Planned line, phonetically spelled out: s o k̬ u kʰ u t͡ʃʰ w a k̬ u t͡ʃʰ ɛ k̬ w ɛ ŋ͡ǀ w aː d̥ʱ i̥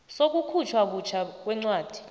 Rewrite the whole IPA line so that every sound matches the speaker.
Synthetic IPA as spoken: s o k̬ u kʰ u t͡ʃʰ w a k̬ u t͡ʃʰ a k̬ w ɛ ŋ͡ǀ w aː d̥ʱ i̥